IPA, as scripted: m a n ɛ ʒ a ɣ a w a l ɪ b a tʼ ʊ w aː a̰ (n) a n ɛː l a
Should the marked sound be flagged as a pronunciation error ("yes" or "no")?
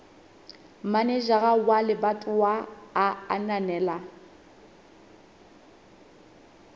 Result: no